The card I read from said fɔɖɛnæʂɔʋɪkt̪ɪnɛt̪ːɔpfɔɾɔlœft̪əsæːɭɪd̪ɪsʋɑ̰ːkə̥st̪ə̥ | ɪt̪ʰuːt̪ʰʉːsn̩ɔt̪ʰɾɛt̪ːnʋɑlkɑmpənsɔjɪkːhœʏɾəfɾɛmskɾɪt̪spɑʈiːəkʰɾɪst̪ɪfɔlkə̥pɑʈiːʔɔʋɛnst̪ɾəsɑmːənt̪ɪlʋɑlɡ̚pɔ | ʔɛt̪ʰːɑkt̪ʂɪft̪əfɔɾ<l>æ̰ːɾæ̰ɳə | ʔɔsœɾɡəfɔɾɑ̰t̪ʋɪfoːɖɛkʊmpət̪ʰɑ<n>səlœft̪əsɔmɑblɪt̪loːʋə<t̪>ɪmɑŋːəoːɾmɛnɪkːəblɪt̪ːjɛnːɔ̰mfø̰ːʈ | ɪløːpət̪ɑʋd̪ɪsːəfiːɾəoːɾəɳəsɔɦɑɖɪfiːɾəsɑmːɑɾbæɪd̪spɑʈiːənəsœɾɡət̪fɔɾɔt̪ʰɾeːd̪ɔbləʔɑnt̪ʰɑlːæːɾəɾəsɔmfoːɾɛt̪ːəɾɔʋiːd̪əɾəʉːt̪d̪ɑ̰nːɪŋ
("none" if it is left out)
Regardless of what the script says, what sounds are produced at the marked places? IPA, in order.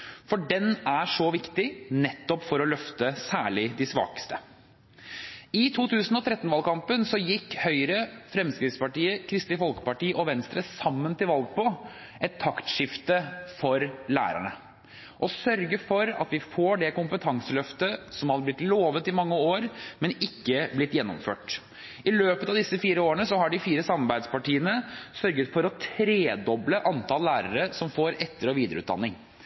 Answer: l, ŋ, t̪

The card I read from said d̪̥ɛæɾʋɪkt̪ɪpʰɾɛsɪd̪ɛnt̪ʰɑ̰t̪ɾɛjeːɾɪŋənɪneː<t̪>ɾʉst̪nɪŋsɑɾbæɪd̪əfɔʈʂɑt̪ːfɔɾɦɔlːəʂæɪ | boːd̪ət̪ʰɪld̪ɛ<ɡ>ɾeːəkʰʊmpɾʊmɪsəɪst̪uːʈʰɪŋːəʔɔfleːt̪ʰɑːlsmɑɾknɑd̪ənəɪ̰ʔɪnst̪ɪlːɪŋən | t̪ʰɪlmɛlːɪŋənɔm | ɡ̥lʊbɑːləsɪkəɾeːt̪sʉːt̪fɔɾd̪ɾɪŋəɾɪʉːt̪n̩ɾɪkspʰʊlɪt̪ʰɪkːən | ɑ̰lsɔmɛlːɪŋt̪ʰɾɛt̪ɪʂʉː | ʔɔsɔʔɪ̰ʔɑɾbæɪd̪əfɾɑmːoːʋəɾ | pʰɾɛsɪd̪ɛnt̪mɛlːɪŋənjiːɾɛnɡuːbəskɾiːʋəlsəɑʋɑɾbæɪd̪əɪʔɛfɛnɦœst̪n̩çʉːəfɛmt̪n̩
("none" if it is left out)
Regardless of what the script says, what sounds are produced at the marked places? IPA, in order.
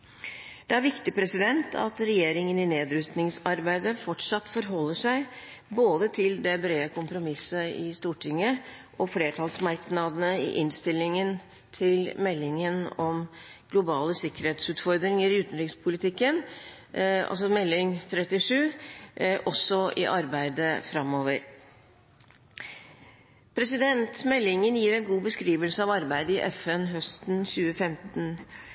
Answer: d̪, b

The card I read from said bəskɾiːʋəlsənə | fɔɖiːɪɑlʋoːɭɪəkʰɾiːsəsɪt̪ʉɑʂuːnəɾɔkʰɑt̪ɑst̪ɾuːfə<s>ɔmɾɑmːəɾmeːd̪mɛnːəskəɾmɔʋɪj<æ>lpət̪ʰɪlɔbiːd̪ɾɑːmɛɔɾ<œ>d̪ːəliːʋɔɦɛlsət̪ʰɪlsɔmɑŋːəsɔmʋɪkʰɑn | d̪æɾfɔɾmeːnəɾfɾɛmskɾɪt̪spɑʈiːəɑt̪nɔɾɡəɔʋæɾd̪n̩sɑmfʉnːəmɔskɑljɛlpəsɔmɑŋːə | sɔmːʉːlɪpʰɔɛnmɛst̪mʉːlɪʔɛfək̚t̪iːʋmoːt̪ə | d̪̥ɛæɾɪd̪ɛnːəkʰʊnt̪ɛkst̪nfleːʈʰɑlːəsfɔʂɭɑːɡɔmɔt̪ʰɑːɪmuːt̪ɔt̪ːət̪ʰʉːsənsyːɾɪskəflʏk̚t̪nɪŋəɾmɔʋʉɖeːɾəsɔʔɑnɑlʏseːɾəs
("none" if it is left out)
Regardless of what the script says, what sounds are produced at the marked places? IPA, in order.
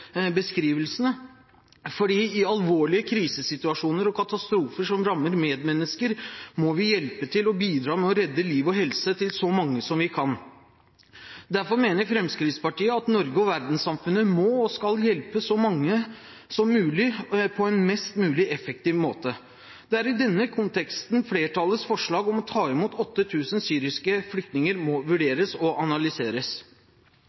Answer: ʂ, ɛ, ɛ

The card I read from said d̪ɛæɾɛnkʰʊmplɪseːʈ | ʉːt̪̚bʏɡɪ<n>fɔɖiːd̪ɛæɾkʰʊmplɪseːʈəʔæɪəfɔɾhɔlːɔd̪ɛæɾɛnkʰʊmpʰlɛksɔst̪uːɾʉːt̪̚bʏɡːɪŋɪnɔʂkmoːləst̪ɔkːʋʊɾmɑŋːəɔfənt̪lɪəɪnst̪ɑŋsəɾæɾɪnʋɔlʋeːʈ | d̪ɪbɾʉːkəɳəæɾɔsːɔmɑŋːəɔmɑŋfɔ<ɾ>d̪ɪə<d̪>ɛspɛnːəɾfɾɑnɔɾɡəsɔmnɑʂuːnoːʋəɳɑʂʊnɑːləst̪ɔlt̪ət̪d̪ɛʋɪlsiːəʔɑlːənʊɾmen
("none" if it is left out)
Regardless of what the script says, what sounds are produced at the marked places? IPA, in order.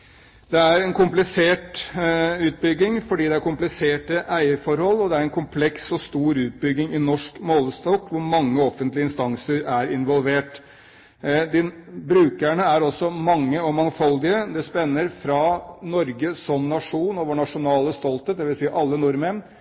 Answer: ŋ, l, d̪

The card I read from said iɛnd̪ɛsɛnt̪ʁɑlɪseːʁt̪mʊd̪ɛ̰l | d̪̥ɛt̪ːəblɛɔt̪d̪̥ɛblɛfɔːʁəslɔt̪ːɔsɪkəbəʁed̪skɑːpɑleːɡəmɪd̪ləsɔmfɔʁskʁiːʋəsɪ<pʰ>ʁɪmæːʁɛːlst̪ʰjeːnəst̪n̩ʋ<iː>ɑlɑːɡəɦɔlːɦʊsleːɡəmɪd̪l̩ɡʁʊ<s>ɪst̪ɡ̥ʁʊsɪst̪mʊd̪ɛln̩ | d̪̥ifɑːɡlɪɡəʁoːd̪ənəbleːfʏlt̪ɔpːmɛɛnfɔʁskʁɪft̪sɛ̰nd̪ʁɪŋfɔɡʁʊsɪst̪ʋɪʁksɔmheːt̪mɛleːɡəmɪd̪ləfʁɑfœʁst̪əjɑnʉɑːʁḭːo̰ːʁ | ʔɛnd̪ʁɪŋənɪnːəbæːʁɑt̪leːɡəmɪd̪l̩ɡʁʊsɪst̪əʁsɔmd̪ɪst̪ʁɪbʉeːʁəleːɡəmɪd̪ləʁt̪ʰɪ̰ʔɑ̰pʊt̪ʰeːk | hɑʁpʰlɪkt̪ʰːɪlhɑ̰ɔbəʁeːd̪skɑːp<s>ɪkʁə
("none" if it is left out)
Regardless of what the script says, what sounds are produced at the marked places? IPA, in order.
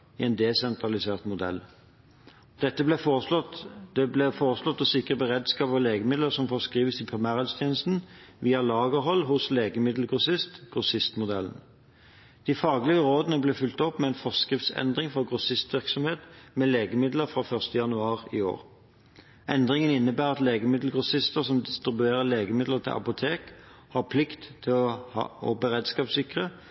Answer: pʰ, iː, s, s

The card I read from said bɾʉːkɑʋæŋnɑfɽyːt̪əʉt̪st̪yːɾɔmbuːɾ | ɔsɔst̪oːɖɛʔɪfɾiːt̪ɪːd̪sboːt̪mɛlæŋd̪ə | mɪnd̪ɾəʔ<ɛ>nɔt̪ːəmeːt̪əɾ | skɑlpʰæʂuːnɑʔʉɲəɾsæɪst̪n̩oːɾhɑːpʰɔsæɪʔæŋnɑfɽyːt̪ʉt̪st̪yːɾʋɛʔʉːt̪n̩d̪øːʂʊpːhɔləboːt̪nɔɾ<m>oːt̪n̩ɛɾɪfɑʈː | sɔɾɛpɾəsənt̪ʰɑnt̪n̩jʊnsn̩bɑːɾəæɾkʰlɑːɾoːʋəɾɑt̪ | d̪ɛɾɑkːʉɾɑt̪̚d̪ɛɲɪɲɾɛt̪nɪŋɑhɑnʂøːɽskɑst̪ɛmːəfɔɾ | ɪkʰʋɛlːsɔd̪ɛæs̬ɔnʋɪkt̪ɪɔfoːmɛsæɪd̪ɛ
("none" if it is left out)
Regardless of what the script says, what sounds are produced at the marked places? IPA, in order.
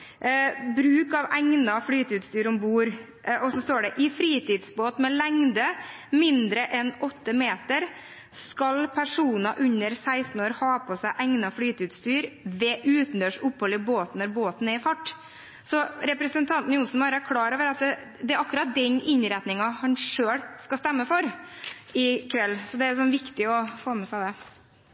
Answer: ɛ, b

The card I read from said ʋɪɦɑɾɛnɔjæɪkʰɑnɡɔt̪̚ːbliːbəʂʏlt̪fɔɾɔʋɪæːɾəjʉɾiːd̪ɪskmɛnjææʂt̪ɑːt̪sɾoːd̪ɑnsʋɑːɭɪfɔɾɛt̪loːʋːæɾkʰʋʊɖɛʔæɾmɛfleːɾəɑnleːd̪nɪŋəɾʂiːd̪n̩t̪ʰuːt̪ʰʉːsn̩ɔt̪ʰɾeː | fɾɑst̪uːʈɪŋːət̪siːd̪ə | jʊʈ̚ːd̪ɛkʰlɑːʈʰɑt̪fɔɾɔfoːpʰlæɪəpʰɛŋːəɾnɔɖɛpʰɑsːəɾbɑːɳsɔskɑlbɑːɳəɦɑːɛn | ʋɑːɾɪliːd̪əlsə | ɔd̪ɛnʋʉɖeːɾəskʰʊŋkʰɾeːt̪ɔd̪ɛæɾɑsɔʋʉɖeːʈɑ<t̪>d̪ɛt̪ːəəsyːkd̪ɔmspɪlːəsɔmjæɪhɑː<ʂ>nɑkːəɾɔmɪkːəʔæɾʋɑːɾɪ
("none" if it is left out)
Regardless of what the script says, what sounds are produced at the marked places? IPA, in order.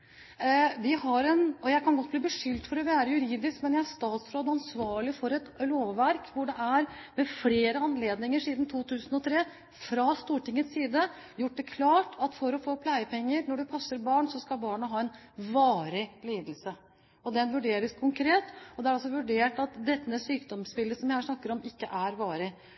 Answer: t̪, ʂ

